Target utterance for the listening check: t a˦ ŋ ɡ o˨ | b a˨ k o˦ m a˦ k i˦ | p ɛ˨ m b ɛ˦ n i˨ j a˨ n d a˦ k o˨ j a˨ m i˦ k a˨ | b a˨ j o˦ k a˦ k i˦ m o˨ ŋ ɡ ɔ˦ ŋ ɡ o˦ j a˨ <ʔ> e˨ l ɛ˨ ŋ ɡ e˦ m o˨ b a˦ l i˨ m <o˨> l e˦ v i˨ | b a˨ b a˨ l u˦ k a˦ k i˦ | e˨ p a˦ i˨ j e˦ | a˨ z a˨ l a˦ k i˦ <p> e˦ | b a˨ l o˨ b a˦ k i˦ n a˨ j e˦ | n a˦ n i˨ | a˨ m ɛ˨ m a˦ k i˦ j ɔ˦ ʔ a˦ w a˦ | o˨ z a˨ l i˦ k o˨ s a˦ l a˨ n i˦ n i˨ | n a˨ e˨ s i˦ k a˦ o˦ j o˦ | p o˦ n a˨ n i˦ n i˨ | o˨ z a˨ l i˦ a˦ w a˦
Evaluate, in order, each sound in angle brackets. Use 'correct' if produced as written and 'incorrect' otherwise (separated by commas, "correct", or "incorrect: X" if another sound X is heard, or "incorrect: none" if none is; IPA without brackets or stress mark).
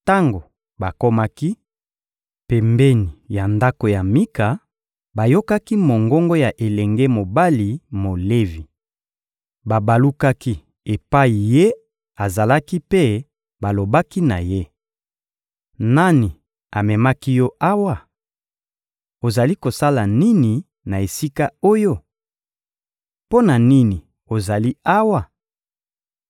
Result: correct, correct, correct